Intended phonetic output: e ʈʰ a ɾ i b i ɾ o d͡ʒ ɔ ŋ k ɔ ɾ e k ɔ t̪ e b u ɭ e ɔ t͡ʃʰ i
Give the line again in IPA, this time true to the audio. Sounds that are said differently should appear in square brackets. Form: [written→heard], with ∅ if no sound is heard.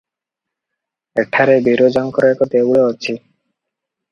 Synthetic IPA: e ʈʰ a ɾ [i→e] b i ɾ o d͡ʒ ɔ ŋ k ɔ ɾ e k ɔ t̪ e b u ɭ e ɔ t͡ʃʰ i